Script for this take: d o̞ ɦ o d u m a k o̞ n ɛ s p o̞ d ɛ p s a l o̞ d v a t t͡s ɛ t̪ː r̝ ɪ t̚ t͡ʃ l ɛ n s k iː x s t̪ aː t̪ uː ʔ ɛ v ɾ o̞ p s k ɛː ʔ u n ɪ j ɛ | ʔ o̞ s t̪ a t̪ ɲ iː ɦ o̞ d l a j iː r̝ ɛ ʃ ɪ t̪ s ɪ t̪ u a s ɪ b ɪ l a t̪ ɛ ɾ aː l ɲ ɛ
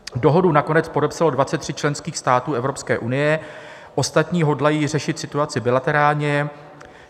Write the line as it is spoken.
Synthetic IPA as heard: d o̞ ɦ o d u n a k o̞ n ɛ t͡s p o̞ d ɛ p s a l o̞ d v a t t͡s ɛ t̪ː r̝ ɪ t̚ t͡ʃ l ɛ n s k iː x s t̪ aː t̪ uː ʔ ɛ v ɾ o̞ p s k ɛː ʔ u n ɪ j ɛ | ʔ o̞ s t̪ a t̪ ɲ iː ɦ o̞ d l a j iː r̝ ɛ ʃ ɪ t̪ s ɪ t̪ u a t͡s ɪ b ɪ l a t̪ ɛ ɾ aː l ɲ ɛ